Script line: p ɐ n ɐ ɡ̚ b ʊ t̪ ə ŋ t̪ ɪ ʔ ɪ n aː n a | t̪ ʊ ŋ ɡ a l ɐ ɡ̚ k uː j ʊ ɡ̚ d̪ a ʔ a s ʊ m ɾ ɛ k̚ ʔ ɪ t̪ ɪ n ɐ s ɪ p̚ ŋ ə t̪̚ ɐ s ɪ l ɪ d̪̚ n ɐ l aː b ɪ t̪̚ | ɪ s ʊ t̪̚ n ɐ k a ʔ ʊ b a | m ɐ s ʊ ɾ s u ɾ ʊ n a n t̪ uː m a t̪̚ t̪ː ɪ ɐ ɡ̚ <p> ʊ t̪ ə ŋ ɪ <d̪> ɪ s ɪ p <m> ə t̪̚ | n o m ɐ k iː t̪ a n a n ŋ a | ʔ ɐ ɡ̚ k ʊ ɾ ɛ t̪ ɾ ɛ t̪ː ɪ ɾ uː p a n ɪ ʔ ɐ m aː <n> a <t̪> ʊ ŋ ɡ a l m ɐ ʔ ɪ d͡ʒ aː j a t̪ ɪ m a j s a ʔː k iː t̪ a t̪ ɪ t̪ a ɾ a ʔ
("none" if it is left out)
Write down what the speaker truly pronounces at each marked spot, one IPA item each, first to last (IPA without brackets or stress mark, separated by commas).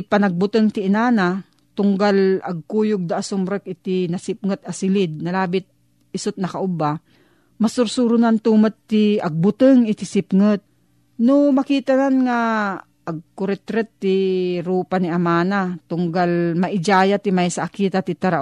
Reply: b, t̪, ŋ, n, t̪